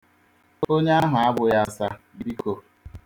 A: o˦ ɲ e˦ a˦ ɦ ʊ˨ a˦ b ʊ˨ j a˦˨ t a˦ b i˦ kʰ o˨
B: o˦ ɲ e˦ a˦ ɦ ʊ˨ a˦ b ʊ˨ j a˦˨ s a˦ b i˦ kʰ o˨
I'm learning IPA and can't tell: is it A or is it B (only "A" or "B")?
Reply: B